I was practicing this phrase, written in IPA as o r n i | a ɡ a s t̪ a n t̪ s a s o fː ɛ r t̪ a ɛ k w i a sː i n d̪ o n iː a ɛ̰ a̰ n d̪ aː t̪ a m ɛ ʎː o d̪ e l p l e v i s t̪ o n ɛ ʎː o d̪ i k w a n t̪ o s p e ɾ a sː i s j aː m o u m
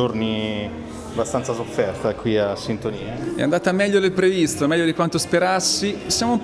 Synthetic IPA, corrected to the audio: o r n i | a b a s t̪ a n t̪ s a s o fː ɛ r t̪ a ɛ k w i a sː i n t̪ o n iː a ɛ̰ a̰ n d̪ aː t̪ a m ɛ ʎː o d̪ e l p ɾ e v i s t̪ o m ɛ ʎː o d̪ i k w a n t̪ o s p e ɾ a sː i s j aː m o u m